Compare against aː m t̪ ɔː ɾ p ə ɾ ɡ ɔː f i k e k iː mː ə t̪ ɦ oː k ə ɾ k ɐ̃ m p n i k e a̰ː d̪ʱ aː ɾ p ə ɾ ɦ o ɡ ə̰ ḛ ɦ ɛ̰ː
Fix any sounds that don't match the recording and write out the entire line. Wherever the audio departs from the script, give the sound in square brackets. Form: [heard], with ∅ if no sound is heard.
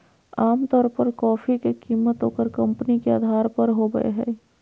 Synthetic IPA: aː m t̪ ɔː ɾ p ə ɾ [k] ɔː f i k e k iː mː ə t̪ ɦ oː k ə ɾ k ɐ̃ m p n i k e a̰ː d̪ʱ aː ɾ p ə ɾ ɦ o ɡ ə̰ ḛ ɦ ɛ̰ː